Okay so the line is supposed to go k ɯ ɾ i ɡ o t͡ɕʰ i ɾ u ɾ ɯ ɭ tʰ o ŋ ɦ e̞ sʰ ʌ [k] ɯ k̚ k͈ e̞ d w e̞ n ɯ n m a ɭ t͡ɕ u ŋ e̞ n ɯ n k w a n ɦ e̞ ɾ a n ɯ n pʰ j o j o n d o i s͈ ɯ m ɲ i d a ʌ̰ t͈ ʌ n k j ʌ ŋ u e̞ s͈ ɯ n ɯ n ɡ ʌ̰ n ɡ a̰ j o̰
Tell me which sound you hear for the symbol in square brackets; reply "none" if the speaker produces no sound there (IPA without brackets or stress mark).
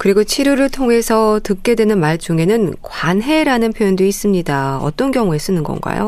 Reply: t